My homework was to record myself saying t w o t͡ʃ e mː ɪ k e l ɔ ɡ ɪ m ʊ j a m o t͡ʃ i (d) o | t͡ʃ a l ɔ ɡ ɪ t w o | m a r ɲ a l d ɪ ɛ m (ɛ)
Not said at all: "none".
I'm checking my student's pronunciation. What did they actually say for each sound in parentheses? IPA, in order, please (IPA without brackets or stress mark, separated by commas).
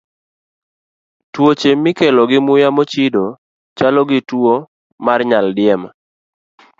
d, a